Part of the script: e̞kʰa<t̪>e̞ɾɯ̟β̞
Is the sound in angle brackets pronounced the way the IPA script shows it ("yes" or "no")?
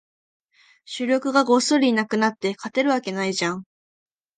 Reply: yes